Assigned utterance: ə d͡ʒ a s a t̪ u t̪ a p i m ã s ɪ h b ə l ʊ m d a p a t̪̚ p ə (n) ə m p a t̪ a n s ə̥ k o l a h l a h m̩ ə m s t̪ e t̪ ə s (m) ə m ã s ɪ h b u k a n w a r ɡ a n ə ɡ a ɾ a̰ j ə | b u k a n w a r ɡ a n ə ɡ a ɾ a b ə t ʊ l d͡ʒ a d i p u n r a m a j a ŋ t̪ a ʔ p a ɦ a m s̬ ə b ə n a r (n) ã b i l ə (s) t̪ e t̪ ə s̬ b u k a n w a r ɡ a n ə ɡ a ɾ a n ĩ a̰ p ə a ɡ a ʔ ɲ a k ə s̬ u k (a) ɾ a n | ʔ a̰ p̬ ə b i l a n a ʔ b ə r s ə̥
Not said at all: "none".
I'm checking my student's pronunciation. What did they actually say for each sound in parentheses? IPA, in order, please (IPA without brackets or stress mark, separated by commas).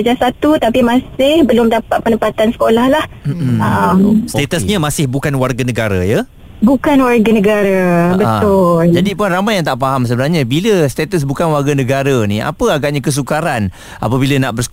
n, ɲ, ɲ, s, a